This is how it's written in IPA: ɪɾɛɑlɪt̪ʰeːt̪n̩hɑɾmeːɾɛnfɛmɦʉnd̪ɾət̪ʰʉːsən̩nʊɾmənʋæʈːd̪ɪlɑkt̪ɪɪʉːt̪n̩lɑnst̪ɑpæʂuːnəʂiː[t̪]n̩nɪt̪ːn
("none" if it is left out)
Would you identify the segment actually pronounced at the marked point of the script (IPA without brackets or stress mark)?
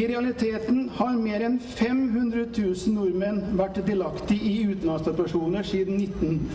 d̪